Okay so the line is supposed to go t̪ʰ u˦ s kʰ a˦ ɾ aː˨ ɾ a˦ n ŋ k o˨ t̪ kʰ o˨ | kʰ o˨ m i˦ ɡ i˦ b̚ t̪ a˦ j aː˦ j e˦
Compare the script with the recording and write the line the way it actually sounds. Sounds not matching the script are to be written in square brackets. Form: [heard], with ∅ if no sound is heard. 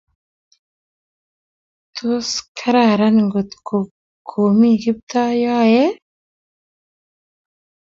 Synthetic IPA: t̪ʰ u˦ s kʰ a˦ ɾ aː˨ ɾ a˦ n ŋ [ɡ] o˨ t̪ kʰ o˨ | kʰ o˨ m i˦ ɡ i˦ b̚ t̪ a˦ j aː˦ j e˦